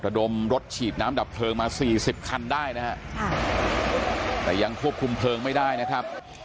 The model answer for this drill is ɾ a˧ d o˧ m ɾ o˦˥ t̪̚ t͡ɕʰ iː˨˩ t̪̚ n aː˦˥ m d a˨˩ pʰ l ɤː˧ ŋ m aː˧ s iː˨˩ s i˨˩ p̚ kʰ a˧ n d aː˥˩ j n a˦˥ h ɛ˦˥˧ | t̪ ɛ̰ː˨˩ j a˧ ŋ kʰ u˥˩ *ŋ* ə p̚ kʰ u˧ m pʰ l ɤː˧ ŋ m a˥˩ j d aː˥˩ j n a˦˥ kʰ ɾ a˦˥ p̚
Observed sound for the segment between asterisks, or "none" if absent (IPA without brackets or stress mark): none